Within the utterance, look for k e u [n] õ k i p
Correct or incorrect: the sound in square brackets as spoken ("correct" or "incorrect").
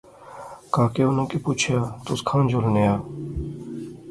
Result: correct